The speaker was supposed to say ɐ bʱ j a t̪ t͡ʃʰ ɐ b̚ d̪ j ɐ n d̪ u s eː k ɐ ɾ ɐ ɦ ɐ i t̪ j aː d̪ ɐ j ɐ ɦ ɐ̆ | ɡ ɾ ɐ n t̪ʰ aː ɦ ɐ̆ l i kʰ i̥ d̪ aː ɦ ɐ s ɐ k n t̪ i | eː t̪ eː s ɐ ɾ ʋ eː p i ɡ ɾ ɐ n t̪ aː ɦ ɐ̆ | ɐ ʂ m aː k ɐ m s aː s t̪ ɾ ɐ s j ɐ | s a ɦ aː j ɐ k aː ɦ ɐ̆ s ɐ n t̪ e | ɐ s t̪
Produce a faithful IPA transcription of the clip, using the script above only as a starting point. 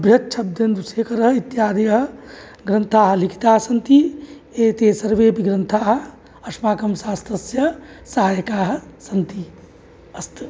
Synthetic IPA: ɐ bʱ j ɐ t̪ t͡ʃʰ ɐ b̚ d̪ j ɐ n d̪ u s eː k ɐ ɾ ɐ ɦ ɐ i t̪ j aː d̪ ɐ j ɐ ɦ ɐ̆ | ɡ ɾ ɐ n t̪ʰ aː ɦ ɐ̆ l i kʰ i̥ t̪ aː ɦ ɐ s ɐ n t̪ i | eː t̪ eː s ɐ ɾ ʋ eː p i ɡ ɾ ɐ n t̪ʰ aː ɦ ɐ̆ | ɐ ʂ m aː k ɐ m s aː s t̪ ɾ ɐ s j ɐ | s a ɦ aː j ɐ k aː ɦ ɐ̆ s ɐ n t̪ i | ɐ s t̪